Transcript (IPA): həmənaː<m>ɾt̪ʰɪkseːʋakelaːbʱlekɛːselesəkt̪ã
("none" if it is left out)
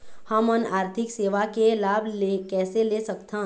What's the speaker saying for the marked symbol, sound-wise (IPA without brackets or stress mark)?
none